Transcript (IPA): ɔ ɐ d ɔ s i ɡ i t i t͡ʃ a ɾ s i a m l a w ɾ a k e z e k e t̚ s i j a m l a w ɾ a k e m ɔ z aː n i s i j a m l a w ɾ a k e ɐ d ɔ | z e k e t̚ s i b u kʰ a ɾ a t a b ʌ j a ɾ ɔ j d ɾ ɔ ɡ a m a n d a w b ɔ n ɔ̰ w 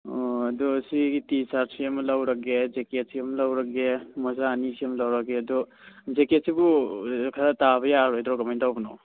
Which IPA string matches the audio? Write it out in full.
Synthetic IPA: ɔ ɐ d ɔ s i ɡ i t i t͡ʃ a ɾ s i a m l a w ɾ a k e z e k e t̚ s i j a m l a w ɾ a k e m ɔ z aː n i s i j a m l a w ɾ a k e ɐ d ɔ | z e k e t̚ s i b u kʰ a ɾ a t a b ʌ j a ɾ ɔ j d ɾ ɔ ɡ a m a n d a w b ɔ n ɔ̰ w